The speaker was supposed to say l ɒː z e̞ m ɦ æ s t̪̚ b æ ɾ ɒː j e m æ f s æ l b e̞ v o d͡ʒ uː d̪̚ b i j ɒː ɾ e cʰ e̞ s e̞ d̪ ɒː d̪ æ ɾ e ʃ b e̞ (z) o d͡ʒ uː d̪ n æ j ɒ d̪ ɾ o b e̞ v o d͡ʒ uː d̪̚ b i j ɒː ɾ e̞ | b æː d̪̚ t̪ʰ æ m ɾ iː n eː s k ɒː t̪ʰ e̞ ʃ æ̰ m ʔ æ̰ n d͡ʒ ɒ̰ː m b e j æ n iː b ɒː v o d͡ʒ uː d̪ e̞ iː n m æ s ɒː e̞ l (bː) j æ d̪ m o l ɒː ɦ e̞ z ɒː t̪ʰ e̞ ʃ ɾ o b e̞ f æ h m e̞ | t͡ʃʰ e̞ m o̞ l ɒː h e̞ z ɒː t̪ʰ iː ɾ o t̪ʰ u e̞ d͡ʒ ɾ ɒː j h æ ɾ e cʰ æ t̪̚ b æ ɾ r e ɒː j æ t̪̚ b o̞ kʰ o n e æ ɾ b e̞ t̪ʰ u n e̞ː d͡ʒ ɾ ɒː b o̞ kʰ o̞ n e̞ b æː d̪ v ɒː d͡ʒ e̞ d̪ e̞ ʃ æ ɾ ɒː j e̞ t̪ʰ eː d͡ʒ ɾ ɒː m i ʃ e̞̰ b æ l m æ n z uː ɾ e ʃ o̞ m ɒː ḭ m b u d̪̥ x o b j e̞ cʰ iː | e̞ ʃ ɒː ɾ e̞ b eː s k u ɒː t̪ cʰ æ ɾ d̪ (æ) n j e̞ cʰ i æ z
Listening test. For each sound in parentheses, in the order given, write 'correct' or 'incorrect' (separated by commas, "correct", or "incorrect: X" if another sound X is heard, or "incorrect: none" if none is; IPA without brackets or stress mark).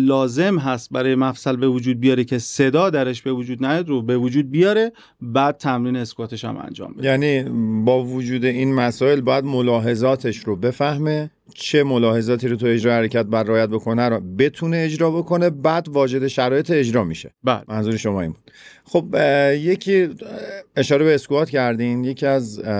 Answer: incorrect: v, correct, incorrect: i